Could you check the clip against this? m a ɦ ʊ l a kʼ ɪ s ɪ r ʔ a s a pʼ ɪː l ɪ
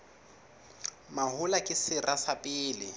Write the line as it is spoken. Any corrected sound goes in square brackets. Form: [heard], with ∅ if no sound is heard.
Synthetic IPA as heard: m a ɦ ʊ l a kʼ ɪ s ɪ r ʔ a s a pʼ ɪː l ɪ